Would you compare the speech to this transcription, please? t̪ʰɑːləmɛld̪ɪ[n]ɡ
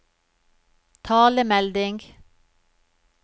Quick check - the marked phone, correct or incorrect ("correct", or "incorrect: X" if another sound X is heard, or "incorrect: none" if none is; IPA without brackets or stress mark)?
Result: incorrect: ŋ